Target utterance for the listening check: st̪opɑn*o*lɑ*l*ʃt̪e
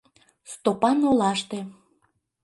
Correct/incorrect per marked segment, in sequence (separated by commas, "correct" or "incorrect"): correct, incorrect